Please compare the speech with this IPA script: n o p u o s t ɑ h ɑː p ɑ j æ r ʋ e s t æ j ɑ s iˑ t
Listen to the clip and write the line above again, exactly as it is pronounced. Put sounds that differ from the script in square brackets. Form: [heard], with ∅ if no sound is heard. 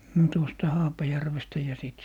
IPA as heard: n o [t] u o s t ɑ h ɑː p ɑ j æ r ʋ e s t æ j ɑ s iˑ t